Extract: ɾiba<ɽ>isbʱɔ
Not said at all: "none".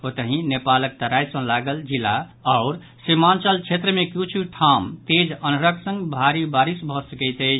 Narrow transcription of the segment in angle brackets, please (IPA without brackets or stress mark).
ɾ